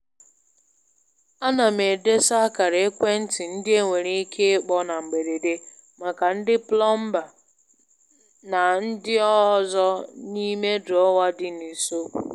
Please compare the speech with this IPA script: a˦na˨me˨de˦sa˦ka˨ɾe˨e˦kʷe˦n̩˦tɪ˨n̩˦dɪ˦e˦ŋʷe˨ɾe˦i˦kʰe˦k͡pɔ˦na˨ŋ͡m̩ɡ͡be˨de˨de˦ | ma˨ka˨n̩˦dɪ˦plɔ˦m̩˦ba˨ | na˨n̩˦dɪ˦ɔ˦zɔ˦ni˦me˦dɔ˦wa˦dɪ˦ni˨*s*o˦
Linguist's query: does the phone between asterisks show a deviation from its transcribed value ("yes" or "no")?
no